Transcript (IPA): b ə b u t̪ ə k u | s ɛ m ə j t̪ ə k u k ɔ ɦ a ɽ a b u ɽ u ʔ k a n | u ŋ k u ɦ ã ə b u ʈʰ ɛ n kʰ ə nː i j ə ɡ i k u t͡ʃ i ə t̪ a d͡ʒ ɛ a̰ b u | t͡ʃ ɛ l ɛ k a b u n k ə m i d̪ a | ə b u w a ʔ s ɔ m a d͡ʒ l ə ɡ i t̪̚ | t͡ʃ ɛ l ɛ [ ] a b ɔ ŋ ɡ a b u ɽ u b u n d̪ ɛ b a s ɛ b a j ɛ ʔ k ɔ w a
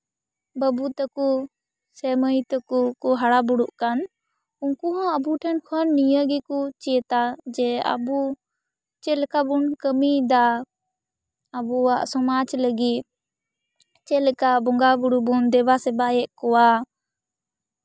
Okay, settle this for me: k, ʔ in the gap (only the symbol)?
k